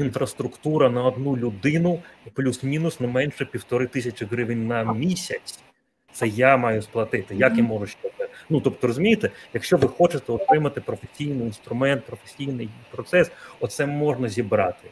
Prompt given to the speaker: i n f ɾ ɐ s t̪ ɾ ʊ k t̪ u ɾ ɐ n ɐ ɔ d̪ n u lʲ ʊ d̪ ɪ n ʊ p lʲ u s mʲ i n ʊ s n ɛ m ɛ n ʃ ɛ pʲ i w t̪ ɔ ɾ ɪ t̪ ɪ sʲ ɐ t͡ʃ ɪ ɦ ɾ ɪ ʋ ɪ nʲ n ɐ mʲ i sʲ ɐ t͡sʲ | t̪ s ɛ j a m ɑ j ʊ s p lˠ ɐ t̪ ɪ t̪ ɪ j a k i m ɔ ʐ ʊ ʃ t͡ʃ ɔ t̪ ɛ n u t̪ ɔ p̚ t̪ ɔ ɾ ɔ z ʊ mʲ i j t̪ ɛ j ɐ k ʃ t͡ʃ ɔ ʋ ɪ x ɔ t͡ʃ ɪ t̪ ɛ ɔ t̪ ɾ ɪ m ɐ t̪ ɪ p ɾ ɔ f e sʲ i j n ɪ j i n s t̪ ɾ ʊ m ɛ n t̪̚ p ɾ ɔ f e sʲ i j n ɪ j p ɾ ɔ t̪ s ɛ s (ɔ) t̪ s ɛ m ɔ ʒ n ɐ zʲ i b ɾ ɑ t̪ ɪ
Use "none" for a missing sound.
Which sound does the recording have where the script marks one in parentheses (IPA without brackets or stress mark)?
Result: ɔ